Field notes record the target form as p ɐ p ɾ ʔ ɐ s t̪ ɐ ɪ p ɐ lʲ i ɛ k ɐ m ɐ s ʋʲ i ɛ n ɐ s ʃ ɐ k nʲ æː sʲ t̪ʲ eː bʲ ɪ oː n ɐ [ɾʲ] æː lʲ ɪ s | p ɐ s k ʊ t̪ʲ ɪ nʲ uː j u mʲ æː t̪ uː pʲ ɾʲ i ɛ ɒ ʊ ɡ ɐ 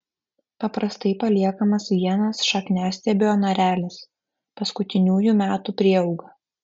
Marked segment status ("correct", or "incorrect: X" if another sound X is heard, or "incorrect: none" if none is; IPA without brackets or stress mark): correct